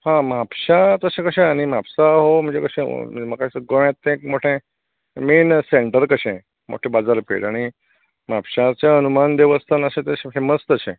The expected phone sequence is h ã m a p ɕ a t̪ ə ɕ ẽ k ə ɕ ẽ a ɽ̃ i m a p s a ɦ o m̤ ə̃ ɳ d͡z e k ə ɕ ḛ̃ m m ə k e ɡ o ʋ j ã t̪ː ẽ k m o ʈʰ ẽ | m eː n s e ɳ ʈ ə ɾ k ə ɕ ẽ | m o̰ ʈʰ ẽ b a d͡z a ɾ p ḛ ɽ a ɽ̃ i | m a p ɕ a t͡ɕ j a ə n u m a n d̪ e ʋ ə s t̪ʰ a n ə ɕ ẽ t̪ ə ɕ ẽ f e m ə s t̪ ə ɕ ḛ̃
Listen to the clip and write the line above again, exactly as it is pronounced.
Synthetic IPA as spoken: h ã m a p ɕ a t̪ ə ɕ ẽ k ə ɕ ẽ a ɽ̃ i m a p s a ɦ o m̤ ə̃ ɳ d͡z e k ə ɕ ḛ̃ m m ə k a ɡ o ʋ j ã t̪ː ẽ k m o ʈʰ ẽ | m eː n s e ɳ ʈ ə ɾ k ə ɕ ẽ | m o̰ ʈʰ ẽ b a d͡z a ɾ p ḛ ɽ a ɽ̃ i | m a p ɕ a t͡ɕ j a ə n u m a n d̪ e ʋ ə s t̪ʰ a n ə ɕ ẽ t̪ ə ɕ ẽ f e m ə s t̪ ə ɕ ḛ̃